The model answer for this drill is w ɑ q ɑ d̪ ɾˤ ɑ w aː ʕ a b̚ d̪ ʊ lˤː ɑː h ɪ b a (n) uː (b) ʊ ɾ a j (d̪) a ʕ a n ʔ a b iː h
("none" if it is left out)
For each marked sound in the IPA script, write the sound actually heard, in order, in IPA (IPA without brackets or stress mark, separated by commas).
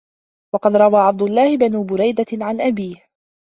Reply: n, b, d̪